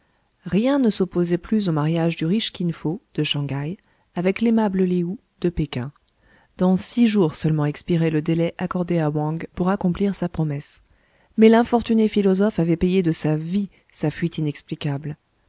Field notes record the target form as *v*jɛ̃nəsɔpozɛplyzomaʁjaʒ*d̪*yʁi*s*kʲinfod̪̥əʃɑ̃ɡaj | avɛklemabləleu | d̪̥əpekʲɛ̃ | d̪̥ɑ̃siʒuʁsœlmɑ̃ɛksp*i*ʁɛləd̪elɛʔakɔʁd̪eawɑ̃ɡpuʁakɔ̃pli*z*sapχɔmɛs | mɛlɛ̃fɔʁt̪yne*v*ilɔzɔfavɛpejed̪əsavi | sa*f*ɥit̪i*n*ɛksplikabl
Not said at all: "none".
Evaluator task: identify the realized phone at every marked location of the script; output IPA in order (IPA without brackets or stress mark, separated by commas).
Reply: ʁ, d̪, ʃ, i, ʁ, f, f, n